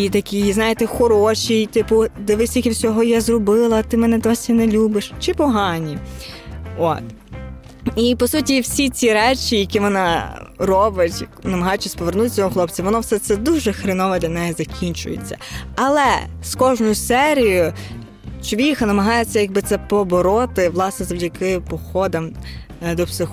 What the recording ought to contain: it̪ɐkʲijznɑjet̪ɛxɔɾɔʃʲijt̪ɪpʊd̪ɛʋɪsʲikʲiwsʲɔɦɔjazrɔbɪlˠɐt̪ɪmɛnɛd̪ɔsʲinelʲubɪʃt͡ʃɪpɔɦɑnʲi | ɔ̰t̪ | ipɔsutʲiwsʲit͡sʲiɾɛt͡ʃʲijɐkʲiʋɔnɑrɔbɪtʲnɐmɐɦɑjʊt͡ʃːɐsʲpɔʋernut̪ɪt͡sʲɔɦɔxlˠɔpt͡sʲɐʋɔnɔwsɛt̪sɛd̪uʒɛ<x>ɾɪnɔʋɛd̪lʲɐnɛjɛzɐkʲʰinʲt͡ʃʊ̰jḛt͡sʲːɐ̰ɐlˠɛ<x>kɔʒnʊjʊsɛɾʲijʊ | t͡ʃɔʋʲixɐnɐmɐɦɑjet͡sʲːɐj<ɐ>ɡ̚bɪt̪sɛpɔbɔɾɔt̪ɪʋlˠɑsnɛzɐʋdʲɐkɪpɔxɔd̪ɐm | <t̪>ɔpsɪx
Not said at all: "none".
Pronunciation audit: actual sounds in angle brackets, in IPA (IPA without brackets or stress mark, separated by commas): x, s, ɐ, d̪